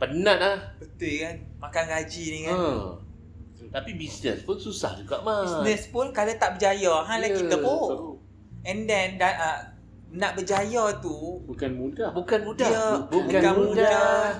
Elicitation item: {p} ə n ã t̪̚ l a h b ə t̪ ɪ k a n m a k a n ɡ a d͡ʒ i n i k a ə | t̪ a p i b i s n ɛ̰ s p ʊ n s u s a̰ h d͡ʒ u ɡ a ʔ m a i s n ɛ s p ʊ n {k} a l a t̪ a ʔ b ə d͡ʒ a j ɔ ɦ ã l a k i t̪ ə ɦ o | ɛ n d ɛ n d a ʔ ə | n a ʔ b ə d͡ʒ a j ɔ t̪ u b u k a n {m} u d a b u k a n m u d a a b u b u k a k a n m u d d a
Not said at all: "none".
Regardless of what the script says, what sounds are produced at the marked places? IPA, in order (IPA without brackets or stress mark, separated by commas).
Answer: p, k, m